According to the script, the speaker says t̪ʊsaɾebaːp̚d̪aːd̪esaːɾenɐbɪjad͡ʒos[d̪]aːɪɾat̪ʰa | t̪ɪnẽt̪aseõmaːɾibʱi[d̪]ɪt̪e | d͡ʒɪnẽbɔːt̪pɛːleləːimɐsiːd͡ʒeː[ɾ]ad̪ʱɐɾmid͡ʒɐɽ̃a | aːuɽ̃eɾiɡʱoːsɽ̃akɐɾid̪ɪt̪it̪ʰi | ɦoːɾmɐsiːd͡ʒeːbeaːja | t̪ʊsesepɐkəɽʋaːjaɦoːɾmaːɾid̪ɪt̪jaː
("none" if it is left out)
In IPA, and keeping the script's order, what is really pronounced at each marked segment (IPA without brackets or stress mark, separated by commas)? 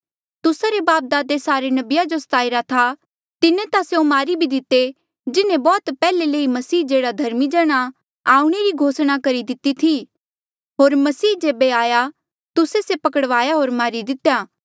t̪, d̪, ɽ